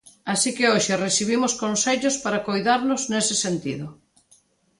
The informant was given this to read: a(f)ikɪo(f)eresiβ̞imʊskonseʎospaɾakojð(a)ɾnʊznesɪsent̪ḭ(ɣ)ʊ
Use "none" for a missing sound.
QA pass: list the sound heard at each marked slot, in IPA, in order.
s, ʃ, a, ð

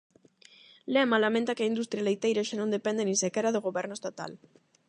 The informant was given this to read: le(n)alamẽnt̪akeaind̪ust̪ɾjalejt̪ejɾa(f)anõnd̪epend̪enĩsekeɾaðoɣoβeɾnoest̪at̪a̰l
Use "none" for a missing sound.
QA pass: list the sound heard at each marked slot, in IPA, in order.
m, ʃ

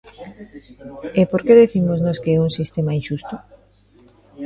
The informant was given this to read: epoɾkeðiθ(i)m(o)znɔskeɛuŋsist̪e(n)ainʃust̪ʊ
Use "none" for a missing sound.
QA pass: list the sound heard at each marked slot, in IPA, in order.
i, o, m

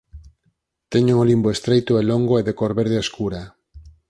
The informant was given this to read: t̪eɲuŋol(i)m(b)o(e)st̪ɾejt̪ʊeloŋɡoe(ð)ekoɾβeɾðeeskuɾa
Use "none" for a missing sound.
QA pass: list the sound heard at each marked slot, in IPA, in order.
i, b, e, ð

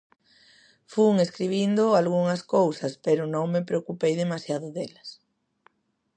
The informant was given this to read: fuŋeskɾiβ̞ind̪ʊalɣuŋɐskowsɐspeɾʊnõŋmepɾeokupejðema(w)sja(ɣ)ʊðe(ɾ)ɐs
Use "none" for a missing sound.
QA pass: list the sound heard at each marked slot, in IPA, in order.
none, ð, l

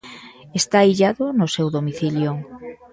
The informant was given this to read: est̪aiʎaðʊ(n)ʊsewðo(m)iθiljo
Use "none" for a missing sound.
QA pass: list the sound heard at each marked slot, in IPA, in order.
n, m

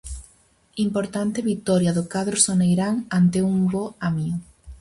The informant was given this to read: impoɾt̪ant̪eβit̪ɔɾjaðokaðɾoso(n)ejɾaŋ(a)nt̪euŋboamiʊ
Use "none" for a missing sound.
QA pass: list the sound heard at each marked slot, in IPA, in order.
n, a

